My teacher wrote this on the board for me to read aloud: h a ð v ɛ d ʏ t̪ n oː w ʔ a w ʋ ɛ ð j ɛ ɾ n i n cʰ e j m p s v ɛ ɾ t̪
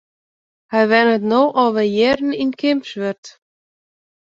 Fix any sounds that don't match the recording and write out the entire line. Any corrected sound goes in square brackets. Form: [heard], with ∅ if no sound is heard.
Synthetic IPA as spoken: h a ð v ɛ [n] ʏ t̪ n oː w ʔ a w [v] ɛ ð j ɛ ɾ n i n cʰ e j m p s v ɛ ɾ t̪